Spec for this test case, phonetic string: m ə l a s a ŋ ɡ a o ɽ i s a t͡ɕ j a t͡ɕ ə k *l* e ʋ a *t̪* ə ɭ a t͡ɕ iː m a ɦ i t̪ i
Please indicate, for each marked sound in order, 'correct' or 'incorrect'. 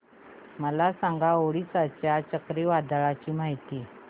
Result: incorrect, incorrect

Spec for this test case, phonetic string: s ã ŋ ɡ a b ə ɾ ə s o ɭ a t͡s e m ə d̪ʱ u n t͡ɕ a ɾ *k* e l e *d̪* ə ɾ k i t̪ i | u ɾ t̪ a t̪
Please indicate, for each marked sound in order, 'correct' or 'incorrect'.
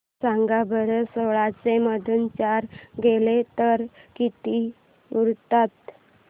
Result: incorrect, incorrect

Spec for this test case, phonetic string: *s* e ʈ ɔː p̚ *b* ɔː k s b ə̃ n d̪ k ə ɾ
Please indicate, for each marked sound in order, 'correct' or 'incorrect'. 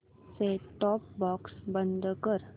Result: correct, correct

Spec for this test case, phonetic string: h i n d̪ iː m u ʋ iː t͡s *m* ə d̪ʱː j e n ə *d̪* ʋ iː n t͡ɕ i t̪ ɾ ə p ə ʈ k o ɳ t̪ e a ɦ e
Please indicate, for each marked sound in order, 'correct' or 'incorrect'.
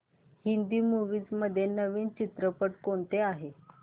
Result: correct, incorrect

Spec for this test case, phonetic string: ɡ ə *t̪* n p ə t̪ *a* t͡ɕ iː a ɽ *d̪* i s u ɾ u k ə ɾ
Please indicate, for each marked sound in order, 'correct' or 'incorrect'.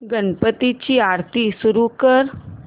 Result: incorrect, incorrect, incorrect

